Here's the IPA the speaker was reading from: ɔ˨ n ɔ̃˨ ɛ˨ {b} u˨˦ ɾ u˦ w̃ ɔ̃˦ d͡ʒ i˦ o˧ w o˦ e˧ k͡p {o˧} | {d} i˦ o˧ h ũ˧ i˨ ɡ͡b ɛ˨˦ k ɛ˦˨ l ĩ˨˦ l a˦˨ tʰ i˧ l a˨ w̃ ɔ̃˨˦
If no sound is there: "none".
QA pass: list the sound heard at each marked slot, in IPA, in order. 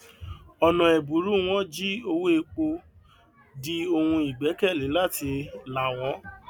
b, o˧, d

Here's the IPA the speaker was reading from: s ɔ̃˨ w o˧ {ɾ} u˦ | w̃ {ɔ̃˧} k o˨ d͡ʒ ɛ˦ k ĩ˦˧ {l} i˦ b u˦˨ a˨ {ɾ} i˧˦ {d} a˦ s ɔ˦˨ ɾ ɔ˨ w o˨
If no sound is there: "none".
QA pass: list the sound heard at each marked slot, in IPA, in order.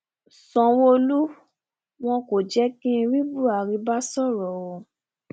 l, ɔ̃˧, ɾ, ɾ, b

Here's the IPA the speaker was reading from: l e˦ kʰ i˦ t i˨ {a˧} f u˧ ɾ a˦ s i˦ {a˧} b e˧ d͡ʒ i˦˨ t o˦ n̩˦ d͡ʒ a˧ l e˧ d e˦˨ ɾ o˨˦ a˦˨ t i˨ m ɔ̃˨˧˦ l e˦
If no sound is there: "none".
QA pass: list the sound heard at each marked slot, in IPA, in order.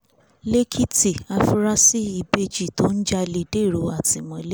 a˧, i˧

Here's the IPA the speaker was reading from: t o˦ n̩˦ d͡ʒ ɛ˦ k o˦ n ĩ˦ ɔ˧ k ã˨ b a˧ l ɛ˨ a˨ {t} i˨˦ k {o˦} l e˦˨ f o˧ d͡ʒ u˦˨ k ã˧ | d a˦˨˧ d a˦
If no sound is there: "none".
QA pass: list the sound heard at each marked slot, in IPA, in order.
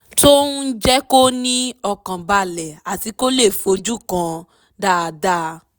t, o˦

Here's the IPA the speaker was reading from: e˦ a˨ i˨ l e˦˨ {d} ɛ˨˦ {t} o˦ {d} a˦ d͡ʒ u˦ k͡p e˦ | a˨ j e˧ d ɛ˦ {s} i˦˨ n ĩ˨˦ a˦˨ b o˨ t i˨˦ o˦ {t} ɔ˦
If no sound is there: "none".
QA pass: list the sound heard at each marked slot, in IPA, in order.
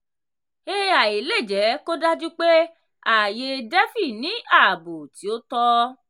d͡ʒ, k, d, f, t

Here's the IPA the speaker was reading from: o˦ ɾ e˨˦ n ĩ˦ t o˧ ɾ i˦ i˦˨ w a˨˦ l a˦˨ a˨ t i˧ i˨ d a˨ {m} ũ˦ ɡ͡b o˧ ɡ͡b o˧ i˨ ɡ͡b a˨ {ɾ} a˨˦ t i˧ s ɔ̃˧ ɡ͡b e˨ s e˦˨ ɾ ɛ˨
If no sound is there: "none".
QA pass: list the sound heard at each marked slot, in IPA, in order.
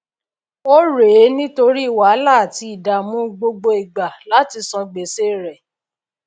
m, l

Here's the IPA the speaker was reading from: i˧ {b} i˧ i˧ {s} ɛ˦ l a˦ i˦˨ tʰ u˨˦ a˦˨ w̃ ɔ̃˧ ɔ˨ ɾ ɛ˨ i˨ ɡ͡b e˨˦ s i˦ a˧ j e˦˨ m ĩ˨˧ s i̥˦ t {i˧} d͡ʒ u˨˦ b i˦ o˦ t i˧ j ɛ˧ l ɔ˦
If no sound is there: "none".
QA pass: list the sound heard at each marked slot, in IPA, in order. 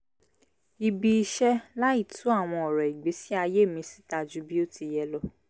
b, ʃ, a˧

